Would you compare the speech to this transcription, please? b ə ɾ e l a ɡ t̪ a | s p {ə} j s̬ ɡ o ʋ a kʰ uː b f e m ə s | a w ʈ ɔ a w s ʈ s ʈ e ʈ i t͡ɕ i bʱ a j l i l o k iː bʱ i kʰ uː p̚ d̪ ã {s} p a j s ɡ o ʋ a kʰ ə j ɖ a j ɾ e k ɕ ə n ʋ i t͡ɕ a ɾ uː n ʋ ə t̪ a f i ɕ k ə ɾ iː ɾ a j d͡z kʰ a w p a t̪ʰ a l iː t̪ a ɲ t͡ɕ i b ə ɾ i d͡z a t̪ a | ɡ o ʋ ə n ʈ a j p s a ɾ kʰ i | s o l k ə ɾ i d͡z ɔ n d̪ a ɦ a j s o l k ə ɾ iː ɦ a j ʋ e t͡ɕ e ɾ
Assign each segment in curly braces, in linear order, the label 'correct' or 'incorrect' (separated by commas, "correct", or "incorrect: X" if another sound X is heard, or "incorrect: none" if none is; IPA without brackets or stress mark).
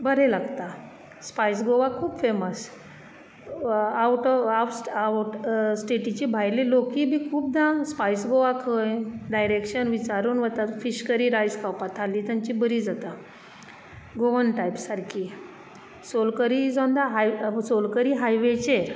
incorrect: a, correct